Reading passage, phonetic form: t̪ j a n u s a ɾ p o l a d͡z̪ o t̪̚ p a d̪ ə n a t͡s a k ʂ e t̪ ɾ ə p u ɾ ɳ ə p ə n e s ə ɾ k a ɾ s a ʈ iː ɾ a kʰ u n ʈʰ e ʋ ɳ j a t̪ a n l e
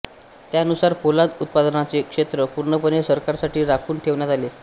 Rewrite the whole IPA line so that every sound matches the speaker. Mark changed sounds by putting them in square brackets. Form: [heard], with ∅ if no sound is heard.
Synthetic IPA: t̪ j a n u s a ɾ p o l a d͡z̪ [u] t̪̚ p a d̪ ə n a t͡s [e] k ʂ e t̪ ɾ ə p u ɾ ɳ ə p ə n e s ə ɾ k a ɾ s a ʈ iː ɾ a kʰ [uː] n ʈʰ e ʋ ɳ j a t̪ a [∅] l e